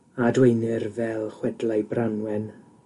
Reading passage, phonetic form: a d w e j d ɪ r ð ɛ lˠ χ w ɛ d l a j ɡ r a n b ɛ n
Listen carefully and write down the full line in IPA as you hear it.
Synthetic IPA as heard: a d w e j n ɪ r v ɛ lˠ χ w ɛ d l a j b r a n w ɛ n